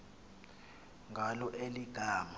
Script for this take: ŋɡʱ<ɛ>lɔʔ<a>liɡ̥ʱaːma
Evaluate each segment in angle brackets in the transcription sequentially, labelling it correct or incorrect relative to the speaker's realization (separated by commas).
incorrect, incorrect